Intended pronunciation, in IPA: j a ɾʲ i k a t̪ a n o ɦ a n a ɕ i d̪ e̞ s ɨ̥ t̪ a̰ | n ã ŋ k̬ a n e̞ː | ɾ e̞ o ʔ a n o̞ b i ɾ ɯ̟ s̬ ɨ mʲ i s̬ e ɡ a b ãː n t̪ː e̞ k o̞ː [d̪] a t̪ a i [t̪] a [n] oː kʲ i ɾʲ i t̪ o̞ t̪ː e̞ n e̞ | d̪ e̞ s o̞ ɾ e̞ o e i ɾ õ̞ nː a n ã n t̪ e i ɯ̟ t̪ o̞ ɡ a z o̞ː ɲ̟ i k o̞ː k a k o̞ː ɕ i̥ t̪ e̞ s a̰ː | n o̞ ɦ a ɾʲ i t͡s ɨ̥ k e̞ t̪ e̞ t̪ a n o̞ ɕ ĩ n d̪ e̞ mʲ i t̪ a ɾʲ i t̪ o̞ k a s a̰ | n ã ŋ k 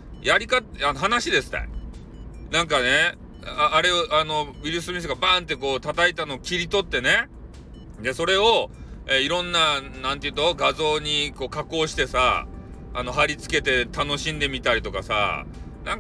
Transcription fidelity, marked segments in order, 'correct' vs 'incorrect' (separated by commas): incorrect, correct, correct